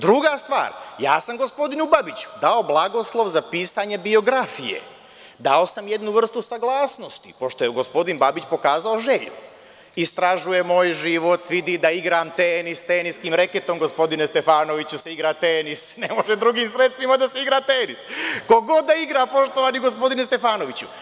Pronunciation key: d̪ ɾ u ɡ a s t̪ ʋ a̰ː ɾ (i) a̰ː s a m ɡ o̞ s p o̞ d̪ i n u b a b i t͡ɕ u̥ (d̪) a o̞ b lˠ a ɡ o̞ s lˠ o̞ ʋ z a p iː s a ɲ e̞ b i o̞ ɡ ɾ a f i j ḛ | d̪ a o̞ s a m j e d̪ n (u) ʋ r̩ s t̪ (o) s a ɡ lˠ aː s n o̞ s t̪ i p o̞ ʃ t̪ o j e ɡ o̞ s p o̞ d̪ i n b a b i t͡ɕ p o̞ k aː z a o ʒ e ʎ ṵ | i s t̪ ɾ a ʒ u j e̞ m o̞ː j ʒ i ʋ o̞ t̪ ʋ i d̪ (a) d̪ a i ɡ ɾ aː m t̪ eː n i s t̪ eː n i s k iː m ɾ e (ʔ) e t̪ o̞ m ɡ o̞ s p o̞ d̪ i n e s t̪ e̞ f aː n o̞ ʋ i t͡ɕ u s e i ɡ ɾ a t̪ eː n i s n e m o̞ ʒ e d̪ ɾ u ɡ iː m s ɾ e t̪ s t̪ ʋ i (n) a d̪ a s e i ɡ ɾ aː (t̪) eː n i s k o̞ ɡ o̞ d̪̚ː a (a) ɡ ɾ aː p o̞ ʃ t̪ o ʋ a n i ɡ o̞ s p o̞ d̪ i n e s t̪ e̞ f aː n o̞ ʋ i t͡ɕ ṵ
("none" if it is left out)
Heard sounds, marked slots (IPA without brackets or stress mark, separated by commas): j, d̪, u, u, i, k, m, t̪, i